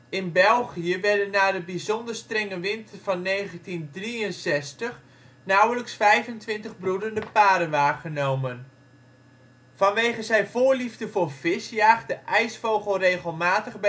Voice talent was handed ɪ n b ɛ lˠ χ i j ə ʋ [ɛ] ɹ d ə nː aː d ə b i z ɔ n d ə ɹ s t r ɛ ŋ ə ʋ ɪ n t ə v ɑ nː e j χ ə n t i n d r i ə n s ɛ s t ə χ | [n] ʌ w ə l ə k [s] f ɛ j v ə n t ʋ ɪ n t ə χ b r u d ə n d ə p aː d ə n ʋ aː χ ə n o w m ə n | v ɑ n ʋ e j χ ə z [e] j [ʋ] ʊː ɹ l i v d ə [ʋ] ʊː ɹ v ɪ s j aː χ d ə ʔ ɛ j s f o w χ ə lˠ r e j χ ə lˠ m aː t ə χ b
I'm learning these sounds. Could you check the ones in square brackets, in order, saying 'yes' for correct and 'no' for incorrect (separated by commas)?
yes, yes, yes, no, no, no